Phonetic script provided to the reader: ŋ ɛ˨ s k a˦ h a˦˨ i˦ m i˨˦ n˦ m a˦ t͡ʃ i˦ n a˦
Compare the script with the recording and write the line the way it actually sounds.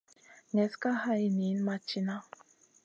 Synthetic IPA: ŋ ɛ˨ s k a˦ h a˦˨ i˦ n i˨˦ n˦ m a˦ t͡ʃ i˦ n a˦